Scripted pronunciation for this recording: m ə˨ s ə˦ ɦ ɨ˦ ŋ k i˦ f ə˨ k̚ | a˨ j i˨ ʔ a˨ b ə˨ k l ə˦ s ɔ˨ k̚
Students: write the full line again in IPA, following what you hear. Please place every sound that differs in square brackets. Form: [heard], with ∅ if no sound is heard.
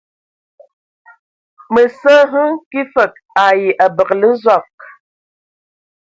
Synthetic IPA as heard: m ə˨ s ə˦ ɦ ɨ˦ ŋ k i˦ f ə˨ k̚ | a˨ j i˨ ʔ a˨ b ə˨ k l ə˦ [z] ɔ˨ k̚